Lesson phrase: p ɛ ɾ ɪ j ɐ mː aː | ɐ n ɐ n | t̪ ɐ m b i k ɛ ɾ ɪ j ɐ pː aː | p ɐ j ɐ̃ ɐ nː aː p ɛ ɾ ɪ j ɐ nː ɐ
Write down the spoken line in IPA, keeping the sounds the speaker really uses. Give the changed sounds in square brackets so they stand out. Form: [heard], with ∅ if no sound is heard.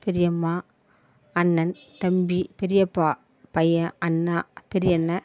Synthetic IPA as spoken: p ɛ ɾ ɪ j ɐ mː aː | ɐ [nː] ɐ n | t̪ ɐ m b i [p] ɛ ɾ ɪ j ɐ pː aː | p ɐ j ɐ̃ ɐ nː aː p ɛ ɾ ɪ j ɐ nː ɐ